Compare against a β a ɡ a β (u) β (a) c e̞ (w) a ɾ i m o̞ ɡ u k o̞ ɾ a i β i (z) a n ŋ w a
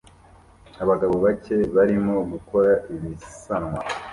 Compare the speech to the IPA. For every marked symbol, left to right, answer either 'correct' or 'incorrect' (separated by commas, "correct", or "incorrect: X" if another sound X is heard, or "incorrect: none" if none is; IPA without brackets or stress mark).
incorrect: o, correct, incorrect: β, incorrect: s